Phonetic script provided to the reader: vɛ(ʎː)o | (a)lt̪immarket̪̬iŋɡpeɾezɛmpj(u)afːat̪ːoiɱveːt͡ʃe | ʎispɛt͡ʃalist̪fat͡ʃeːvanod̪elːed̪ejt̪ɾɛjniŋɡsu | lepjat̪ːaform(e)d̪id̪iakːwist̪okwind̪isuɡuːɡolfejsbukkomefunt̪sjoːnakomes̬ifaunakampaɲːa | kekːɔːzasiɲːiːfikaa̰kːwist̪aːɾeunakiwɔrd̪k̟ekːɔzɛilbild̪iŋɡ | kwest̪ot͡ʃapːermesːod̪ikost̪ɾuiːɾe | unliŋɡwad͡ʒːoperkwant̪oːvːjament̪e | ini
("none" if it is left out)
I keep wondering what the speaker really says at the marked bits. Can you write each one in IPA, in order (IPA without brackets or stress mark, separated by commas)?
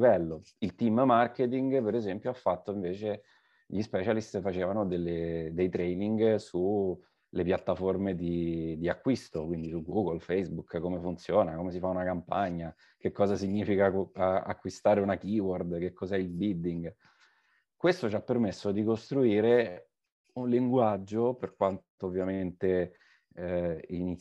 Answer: lː, i, o, e